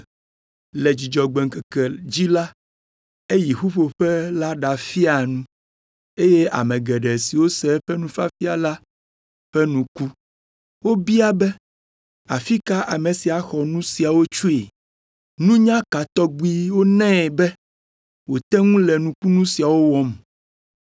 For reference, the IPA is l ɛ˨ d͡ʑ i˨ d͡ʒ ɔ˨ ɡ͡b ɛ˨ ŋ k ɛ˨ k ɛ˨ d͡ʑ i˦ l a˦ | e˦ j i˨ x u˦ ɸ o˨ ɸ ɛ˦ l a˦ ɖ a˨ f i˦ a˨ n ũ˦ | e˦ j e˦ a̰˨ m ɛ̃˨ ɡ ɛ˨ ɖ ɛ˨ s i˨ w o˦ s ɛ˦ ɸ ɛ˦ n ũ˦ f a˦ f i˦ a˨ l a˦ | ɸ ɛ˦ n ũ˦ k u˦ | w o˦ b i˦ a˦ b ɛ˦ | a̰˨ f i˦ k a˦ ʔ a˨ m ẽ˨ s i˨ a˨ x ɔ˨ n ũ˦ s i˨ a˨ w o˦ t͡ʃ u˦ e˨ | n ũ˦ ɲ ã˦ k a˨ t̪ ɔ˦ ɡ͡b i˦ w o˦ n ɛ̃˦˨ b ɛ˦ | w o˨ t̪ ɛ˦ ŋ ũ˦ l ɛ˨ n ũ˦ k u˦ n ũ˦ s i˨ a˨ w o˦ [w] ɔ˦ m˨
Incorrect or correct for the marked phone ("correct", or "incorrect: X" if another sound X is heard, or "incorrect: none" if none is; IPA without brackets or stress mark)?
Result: correct